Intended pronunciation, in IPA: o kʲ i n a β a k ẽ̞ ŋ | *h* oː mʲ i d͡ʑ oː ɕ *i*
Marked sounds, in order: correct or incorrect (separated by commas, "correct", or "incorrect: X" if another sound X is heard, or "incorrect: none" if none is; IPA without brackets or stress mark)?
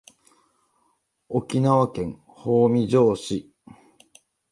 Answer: correct, correct